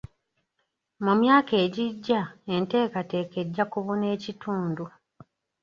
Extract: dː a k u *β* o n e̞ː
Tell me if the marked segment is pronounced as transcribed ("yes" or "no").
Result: yes